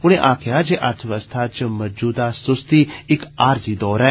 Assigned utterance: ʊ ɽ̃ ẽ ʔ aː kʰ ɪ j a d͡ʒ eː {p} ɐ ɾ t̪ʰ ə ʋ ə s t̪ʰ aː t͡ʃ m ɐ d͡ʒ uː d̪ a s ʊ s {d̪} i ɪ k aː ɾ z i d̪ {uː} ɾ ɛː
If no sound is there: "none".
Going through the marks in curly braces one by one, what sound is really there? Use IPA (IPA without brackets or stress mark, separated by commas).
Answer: ʔ, t̪, ɔː